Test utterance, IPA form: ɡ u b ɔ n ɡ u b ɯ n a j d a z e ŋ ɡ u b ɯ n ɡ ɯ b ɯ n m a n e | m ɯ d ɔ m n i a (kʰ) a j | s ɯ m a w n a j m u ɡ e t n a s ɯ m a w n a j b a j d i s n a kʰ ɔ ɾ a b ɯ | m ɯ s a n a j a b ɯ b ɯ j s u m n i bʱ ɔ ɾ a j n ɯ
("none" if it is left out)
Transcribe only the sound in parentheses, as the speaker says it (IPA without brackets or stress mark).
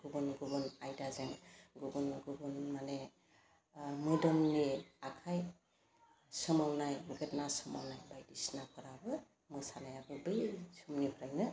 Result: kʰ